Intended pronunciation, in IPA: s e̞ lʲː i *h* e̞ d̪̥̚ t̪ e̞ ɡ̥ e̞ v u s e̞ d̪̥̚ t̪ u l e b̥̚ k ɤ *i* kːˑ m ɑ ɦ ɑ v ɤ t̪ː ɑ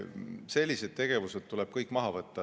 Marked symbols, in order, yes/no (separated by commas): no, no